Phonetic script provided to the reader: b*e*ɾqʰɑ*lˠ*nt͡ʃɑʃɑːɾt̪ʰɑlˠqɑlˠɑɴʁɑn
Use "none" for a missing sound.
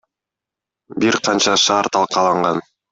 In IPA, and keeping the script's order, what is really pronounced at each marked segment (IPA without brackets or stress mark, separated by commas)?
i, none